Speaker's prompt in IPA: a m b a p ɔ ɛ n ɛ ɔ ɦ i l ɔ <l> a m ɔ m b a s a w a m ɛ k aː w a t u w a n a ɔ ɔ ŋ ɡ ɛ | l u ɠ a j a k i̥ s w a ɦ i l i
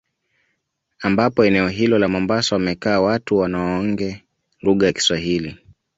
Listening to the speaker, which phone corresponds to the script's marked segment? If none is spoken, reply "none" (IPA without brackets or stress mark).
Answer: l